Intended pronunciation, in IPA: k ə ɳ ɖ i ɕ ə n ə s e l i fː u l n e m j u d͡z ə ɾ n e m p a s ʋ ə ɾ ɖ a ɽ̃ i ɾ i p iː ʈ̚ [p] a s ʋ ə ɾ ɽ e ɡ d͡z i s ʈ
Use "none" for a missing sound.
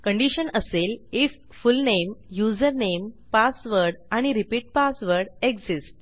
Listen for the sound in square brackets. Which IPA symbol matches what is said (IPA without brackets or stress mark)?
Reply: p